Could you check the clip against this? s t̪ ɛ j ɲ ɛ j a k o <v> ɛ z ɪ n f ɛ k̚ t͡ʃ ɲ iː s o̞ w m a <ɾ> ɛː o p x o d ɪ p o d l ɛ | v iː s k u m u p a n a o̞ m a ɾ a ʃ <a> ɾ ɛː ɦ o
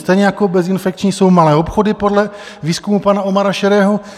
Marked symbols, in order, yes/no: no, no, no

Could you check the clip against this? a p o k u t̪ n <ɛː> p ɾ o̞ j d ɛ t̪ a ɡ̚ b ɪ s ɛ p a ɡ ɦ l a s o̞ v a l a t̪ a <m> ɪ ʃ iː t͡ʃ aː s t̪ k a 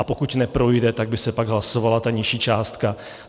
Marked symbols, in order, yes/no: no, no

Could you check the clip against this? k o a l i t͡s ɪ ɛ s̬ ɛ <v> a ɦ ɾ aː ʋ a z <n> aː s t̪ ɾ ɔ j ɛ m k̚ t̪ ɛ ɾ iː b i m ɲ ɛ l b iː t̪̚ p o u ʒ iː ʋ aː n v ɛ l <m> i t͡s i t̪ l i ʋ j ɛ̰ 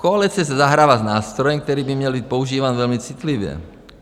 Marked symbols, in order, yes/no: no, yes, yes

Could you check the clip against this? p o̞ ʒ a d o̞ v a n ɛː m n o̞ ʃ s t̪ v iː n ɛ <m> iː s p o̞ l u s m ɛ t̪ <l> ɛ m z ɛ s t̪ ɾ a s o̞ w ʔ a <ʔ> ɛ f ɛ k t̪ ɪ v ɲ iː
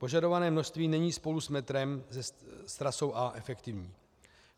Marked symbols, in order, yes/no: no, no, yes

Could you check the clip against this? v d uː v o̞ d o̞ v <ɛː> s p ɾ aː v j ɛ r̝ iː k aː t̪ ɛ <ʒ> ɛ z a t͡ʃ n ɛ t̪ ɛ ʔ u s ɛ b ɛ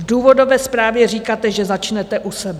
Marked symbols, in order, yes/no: yes, yes

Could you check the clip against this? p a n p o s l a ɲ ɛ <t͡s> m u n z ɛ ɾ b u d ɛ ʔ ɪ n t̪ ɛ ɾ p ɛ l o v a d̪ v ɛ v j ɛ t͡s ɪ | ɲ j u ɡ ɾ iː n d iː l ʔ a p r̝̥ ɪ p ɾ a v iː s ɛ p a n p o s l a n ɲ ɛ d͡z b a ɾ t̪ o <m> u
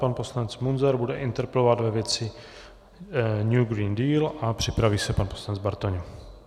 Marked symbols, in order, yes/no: yes, no

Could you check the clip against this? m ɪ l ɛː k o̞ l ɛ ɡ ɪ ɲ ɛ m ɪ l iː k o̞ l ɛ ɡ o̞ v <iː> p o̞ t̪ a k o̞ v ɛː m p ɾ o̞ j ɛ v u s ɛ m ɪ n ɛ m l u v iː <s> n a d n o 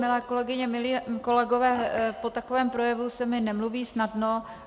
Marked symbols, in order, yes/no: no, yes

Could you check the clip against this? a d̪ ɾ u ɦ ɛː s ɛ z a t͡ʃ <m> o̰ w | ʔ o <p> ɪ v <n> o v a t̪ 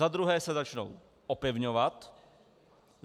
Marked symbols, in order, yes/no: no, yes, no

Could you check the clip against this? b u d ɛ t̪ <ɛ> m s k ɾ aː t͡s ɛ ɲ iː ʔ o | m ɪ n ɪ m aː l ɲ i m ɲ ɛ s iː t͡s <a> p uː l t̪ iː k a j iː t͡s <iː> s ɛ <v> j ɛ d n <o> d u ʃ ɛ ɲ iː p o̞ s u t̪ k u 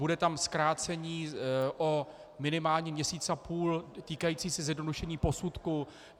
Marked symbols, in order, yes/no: no, yes, yes, no, yes

